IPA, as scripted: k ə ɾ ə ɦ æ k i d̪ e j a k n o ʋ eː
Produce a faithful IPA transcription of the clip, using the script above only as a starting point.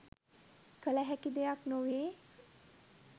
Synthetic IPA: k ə l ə ɦ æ k i d̪ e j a k n o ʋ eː